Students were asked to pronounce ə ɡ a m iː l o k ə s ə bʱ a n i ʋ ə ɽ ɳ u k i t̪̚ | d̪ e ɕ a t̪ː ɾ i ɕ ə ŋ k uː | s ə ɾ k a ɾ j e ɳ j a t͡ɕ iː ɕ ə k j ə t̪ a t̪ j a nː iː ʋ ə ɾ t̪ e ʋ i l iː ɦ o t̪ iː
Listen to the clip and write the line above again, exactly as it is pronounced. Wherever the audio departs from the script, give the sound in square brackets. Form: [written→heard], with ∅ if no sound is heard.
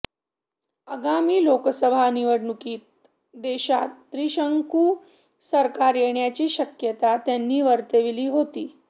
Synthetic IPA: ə ɡ a m iː l o k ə s ə bʱ a n i ʋ ə ɽ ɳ u k [i→iː] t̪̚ | d̪ e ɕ a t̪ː ɾ i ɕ ə ŋ k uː | s ə ɾ k a ɾ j e ɳ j a t͡ɕ iː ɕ ə k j ə t̪ a t̪ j a nː iː ʋ ə ɾ t̪ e ʋ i l iː ɦ o t̪ iː